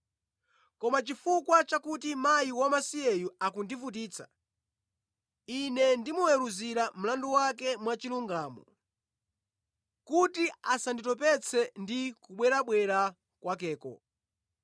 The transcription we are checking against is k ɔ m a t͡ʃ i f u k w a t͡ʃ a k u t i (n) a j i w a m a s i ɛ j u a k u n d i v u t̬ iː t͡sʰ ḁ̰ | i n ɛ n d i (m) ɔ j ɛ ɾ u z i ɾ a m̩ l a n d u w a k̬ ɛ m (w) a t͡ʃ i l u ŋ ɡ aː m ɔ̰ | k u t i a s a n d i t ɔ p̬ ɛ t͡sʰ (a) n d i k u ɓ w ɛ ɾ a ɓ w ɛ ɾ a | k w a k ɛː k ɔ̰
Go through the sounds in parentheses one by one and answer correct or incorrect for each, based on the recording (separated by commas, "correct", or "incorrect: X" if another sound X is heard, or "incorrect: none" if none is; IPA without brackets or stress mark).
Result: incorrect: m, correct, correct, incorrect: ɛ